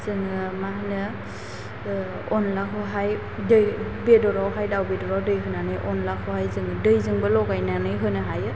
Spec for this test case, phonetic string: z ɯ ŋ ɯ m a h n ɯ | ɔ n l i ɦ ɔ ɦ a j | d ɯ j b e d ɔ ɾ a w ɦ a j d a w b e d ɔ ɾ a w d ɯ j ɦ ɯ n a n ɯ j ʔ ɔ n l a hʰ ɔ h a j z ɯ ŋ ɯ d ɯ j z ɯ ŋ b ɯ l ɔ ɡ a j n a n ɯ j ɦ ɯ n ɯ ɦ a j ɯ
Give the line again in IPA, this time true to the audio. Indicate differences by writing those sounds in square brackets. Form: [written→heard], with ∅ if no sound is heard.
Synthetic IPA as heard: z ɯ ŋ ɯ m a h n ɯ | ɔ n l [i→a] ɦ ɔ ɦ a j | d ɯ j b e d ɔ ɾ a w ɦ a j d a w b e d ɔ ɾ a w d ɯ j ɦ ɯ n a n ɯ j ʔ ɔ n l a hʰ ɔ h a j z ɯ ŋ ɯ d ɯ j z ɯ ŋ b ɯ l ɔ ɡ a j n a n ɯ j ɦ ɯ n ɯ ɦ a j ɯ